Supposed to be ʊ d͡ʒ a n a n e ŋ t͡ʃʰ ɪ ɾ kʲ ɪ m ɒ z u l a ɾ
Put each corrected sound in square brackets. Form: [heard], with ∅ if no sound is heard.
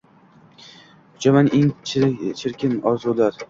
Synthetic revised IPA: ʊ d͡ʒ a [m] a n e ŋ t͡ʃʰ ɪ ɾ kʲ ɪ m ɒ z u l a ɾ